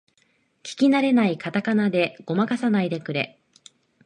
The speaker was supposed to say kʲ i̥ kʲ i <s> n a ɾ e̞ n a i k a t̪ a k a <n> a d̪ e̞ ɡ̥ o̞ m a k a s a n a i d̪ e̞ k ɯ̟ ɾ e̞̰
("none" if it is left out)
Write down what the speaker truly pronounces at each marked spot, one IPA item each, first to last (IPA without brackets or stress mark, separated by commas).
none, n